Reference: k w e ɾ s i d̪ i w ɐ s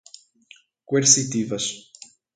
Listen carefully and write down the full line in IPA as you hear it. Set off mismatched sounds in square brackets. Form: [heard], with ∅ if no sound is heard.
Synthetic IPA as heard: k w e ɾ s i [t̪] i [v] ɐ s